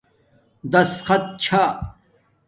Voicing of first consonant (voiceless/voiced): voiced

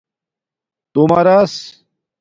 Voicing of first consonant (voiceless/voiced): voiceless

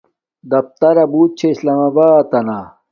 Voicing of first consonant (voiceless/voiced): voiced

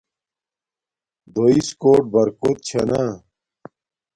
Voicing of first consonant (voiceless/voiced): voiced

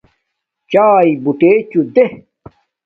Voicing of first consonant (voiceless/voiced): voiceless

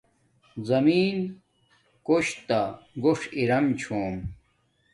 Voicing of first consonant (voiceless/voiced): voiced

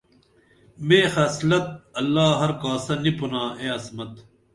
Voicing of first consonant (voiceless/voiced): voiced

